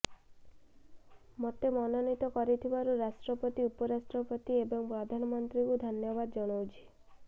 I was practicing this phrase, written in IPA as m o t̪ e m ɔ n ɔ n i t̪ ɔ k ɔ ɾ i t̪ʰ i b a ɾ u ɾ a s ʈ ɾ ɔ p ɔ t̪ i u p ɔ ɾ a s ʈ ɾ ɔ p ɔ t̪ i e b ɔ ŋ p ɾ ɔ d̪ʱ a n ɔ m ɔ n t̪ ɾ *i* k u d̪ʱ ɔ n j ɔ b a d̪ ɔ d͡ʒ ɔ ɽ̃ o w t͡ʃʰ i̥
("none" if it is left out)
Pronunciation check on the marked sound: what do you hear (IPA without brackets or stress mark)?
i